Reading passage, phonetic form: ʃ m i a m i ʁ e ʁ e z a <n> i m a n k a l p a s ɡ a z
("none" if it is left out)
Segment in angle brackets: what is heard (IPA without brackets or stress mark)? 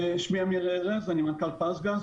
n